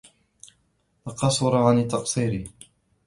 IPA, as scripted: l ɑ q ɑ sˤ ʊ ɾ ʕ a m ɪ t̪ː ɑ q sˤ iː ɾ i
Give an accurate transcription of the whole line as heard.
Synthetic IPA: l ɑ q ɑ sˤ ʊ ɾ ʕ a n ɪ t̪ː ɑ q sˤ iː ɾ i